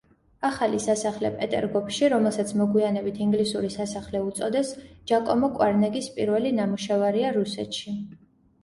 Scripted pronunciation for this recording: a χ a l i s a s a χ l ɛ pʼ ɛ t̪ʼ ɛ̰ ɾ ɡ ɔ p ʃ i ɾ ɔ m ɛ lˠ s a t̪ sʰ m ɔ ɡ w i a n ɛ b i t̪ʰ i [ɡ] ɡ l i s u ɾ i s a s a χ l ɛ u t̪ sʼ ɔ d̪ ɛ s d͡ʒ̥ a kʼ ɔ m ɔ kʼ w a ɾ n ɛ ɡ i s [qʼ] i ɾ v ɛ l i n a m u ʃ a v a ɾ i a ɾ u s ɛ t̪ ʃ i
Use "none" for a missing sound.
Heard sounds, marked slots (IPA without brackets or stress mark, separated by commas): ŋ, pʼ